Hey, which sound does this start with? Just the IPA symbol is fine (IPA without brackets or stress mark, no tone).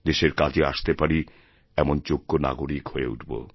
d̪